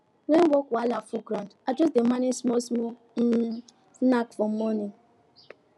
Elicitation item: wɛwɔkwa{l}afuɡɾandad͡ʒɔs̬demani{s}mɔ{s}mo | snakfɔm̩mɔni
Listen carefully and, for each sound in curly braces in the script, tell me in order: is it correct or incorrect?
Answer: correct, correct, correct

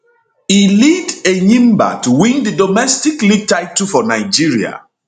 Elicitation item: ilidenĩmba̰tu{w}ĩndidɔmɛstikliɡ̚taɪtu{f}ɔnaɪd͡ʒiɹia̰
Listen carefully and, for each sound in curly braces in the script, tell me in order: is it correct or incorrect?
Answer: correct, correct

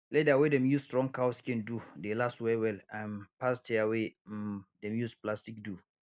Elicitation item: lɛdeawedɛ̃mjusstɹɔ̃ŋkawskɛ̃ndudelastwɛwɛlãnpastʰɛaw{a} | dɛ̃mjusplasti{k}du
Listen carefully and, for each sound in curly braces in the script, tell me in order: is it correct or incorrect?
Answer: incorrect: e, correct

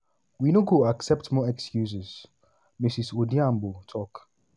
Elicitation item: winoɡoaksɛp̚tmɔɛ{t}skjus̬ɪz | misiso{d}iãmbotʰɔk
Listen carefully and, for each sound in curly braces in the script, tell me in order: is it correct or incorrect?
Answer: incorrect: k, correct

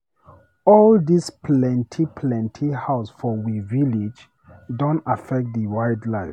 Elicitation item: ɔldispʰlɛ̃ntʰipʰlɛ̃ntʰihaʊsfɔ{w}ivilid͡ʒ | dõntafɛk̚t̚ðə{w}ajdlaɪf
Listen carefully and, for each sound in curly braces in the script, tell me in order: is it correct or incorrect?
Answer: correct, correct

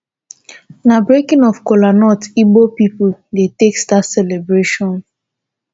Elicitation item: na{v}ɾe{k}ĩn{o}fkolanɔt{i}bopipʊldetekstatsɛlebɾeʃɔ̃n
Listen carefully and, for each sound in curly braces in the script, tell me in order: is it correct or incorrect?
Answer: incorrect: b, correct, incorrect: ɔ, correct

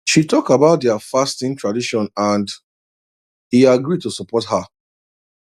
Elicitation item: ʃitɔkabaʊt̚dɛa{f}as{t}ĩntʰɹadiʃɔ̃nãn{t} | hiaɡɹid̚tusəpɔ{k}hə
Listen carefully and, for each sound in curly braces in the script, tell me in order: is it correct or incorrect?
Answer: correct, correct, incorrect: d, incorrect: t

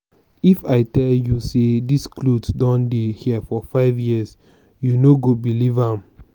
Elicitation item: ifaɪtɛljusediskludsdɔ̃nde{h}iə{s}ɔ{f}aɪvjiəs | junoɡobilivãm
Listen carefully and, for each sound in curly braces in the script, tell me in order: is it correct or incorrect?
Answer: correct, incorrect: f, correct

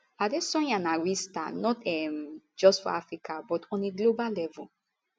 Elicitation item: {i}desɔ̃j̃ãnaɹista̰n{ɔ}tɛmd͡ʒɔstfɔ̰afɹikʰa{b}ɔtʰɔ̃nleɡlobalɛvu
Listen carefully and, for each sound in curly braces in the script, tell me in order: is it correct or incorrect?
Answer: incorrect: a, correct, correct

